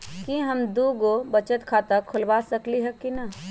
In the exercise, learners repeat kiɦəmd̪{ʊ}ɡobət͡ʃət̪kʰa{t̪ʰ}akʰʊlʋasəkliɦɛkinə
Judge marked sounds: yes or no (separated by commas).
no, no